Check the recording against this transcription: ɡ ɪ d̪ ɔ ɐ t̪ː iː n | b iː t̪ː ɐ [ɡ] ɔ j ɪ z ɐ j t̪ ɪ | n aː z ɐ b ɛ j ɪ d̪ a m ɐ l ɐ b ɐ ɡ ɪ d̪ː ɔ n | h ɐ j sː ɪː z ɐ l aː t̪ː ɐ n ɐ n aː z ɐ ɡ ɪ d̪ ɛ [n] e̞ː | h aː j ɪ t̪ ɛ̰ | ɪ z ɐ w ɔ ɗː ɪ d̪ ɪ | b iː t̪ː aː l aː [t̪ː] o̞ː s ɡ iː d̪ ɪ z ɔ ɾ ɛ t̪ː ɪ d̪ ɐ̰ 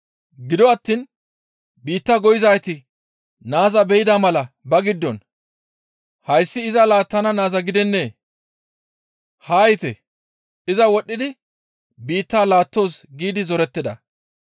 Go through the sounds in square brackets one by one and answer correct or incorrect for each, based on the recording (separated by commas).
correct, incorrect, correct